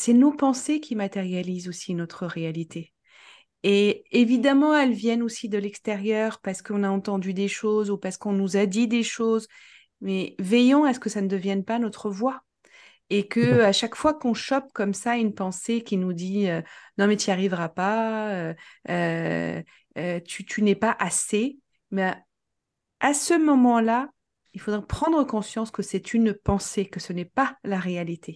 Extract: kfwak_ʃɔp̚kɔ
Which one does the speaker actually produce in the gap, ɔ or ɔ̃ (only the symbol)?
ɔ̃